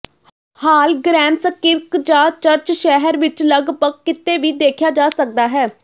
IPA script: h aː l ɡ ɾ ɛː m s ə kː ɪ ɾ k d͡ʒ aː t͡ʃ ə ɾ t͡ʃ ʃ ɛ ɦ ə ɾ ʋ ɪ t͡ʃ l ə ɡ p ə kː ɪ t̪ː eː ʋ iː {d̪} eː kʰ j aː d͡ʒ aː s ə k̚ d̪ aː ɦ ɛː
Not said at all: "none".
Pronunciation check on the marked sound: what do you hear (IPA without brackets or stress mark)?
d̪